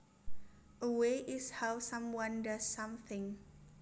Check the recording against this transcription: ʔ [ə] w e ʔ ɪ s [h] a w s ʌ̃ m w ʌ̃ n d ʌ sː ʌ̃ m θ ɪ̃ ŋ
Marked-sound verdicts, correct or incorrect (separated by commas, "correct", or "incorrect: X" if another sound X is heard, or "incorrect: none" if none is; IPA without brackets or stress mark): correct, correct